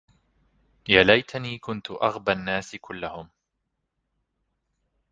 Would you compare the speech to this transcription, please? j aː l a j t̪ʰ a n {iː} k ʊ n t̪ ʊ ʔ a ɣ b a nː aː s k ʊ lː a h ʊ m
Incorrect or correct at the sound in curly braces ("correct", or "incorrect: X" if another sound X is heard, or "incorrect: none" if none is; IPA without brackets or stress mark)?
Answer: correct